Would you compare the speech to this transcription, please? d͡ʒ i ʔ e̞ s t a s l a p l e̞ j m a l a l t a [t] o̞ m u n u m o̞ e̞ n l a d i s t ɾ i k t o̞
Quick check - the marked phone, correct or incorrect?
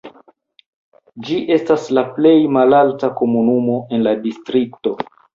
incorrect